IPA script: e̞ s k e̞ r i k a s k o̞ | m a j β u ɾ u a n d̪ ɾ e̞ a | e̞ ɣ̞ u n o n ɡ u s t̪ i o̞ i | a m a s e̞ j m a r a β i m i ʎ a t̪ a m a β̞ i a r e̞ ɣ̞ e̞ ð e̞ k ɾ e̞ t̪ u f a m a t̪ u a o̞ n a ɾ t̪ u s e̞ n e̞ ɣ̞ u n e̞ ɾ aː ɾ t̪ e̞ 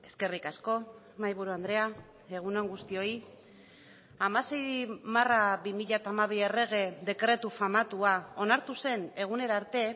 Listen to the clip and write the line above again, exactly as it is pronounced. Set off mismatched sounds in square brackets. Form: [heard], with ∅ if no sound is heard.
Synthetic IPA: e̞ s k e̞ r i k a s k o̞ | m a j β u ɾ u a n d̪ ɾ e̞ a | e̞ ɣ̞ u n o [ŋ] ɡ u s t̪ i o̞ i | a m a s e̞ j m a r a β i m i ʎ a t̪ a m a β̞ i [e] r e̞ ɣ̞ e̞ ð e̞ k ɾ e̞ t̪ u f a m a t̪ u a o̞ n a ɾ t̪ u s e̞ n e̞ ɣ̞ u n e̞ ɾ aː ɾ t̪ e̞